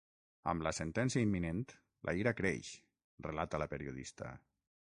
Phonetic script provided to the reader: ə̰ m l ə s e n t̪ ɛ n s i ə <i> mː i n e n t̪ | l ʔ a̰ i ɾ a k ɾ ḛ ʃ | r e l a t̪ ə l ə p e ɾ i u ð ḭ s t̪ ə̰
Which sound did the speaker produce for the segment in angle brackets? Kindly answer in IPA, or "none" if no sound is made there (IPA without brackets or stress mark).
i